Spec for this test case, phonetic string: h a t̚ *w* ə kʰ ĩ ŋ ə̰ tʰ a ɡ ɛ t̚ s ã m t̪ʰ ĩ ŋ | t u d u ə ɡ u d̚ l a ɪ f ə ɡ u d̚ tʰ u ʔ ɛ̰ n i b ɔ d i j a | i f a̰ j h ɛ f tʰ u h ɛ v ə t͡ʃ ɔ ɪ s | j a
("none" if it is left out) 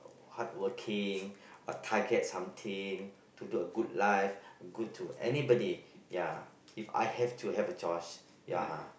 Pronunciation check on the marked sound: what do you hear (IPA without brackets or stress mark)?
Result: w